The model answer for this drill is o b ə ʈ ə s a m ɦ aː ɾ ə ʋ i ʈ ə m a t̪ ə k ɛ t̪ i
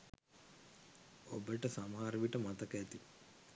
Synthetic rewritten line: o b ə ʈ ə s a m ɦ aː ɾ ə ʋ i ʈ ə m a t̪ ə k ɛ t̪ i